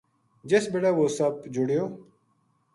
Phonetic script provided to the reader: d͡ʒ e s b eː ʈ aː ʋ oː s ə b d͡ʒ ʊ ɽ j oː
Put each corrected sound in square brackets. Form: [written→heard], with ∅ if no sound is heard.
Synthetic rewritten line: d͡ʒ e s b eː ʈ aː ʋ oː s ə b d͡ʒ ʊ ɽ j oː